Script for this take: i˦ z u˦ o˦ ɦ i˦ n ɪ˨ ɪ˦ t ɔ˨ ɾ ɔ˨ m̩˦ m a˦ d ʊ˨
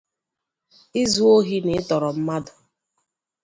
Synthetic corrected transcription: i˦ z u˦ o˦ ɦ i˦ n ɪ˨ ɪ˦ t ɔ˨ ɾ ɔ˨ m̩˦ m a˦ d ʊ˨